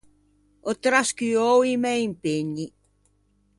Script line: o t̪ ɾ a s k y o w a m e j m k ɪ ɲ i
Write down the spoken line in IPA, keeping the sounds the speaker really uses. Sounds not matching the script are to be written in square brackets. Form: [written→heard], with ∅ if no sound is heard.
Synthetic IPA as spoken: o t̪ ɾ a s k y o w [a→i] m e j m [k→p] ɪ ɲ i